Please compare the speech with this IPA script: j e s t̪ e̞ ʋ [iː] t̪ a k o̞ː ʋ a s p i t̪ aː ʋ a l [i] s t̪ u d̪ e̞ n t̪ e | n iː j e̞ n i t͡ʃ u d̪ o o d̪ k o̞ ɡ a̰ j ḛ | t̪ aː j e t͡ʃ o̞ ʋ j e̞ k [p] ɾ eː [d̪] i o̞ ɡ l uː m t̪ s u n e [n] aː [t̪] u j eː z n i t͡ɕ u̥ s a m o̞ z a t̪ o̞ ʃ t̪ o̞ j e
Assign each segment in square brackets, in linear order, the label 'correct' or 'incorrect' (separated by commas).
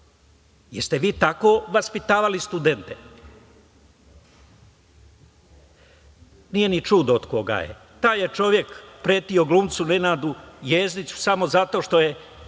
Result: correct, correct, correct, incorrect, correct, incorrect